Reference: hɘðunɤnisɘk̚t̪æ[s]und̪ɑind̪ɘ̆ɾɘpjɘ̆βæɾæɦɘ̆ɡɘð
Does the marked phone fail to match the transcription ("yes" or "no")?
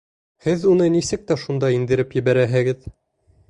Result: yes